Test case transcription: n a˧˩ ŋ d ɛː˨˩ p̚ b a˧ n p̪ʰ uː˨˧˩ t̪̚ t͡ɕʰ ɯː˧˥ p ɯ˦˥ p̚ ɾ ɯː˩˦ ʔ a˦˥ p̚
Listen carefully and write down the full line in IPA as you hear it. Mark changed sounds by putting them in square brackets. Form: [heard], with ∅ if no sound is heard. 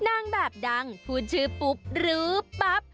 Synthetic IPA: n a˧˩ ŋ [b] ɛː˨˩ p̚ [d] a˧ [ŋ] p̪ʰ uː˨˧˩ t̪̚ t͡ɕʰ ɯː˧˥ p [u˦˥] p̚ ɾ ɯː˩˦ [p] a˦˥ p̚